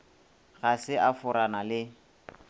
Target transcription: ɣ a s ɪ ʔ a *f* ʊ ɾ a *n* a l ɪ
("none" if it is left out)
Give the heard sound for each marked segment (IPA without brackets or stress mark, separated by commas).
f, n